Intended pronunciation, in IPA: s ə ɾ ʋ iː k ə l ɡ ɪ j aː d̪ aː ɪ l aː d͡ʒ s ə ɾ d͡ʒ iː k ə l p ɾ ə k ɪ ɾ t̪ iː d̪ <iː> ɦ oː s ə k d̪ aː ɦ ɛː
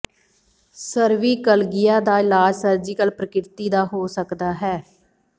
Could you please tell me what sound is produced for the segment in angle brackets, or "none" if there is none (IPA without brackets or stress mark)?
aː